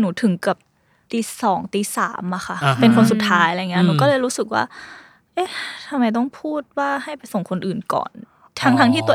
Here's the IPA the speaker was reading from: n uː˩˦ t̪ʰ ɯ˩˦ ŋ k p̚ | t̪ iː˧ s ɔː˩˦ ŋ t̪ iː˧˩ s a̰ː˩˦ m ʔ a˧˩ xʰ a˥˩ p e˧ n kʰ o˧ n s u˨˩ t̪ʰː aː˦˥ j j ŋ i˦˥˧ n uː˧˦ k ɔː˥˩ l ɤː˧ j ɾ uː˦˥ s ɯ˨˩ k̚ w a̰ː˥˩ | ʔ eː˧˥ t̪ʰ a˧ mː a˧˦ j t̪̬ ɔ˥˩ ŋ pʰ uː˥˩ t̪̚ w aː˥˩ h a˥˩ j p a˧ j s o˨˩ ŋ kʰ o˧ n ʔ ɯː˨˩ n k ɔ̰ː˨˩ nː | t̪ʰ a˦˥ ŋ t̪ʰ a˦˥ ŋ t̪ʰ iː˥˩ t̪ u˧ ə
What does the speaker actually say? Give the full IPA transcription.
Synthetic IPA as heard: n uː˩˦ t̪ʰ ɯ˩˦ ŋ k p̚ | t̪ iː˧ s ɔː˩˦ ŋ t̪ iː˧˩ s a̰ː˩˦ m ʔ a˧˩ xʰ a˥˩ p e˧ n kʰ o˧ n s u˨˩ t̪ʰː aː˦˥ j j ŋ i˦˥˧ n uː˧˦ k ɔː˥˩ l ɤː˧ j ɾ uː˦˥ s ɯ˨˩ k̚ w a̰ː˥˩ | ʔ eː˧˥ t̪ʰ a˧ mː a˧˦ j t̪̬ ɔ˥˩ ŋ pʰ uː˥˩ t̪̚ w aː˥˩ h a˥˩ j p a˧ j s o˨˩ ŋ kʰ o˧ n ʔ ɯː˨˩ n k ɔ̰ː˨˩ n | t̪ʰ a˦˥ ŋ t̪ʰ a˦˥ ŋ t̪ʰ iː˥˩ t̪ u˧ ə